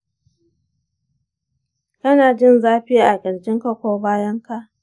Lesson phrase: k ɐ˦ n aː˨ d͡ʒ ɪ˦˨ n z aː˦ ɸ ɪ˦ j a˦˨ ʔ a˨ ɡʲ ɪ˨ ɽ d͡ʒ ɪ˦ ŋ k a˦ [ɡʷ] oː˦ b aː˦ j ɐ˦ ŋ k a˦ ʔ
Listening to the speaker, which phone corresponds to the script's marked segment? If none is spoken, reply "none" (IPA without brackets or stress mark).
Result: kʷ